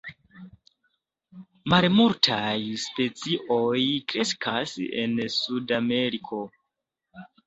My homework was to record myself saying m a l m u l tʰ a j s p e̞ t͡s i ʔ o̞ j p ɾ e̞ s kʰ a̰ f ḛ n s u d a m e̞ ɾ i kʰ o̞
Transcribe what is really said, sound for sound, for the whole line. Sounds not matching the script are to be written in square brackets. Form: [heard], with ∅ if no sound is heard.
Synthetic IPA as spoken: m a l m u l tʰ a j s p e̞ t͡s i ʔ o̞ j [k] ɾ e̞ s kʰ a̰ [s] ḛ n s u d a m e̞ ɾ i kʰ o̞